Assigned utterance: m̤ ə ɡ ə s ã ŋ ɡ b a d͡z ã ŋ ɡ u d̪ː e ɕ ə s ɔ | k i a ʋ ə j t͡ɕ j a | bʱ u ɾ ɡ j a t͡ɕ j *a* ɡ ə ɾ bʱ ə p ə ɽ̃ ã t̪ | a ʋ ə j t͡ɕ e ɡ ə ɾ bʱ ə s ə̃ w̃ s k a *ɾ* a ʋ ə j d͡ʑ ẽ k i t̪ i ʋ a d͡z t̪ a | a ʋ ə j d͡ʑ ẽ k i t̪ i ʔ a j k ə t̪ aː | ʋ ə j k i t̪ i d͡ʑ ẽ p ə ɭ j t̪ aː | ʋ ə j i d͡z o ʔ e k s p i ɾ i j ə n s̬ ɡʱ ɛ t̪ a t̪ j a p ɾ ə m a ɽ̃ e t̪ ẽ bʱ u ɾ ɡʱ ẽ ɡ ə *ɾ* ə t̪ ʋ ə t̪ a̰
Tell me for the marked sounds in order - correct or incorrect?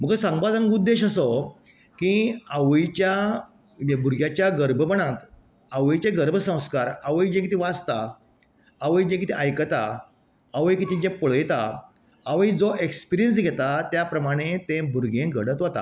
correct, correct, incorrect: ɽ

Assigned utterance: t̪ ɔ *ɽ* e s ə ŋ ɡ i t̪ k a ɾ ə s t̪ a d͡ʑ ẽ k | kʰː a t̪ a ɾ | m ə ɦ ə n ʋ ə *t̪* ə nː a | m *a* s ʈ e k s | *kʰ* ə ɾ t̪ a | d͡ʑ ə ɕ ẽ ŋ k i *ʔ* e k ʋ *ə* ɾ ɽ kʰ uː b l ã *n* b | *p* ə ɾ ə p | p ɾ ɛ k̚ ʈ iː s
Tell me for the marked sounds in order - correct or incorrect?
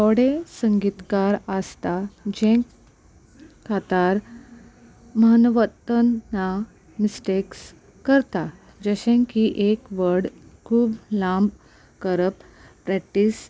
correct, correct, incorrect: i, incorrect: k, correct, correct, incorrect: m, incorrect: k

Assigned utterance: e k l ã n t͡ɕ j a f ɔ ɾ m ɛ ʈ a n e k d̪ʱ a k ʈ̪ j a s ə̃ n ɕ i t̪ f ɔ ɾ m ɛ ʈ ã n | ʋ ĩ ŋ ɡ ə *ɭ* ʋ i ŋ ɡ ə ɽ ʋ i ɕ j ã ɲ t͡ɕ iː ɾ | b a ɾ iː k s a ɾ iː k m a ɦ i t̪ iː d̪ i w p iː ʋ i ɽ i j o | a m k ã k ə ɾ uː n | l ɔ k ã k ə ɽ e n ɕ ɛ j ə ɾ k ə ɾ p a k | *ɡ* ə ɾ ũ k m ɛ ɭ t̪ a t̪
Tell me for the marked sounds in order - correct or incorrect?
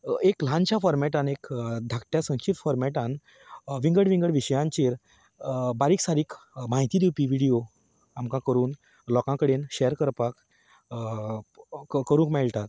incorrect: ɽ, incorrect: k

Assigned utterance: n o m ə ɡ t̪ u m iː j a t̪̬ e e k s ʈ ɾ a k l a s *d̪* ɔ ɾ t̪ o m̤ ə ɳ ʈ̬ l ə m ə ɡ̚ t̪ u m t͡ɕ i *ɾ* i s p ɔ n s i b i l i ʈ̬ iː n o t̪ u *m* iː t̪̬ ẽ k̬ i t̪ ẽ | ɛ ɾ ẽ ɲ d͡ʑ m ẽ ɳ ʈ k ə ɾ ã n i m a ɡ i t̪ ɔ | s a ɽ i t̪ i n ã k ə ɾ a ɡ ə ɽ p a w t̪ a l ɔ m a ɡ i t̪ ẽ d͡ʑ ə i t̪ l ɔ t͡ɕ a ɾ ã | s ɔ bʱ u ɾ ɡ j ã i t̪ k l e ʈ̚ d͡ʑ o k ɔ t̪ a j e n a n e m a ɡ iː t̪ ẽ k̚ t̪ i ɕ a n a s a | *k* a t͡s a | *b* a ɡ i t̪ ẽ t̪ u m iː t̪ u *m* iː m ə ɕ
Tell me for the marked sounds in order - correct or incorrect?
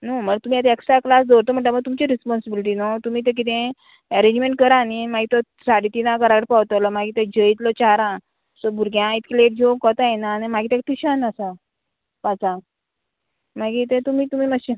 correct, correct, correct, incorrect: p, incorrect: m, correct

